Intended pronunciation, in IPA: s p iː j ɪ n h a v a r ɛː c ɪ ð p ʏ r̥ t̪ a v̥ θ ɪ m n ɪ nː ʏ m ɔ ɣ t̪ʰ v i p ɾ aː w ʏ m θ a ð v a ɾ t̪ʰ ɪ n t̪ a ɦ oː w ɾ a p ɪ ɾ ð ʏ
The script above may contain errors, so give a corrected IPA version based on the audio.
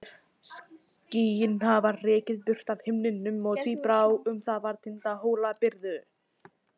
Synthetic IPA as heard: s c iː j ɪ n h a v a r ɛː c ɪ ð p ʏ r̥ t̪ a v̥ h ɪ m n ɪ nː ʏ m ɔ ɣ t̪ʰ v i p ɾ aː w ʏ m θ a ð v a ɾ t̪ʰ ɪ n t̪ a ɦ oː w l a p ɪ ɾ ð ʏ